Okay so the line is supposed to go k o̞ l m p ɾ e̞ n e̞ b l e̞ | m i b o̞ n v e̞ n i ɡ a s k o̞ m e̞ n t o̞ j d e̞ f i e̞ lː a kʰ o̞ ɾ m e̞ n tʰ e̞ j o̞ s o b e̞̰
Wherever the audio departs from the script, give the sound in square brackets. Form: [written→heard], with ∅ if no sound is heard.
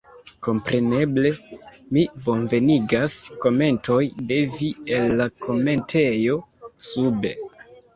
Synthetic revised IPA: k o̞ [l→∅] m p ɾ e̞ n e̞ b l e̞ | m i b o̞ n v e̞ n i ɡ a s k o̞ m e̞ n t o̞ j d e̞ [f→v] i e̞ lː a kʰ o̞ [ɾ→∅] m e̞ n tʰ e̞ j o̞ s [o→u] b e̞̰